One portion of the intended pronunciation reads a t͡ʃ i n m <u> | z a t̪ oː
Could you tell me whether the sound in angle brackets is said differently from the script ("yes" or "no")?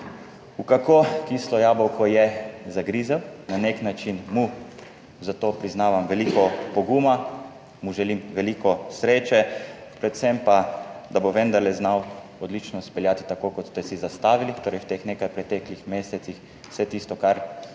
no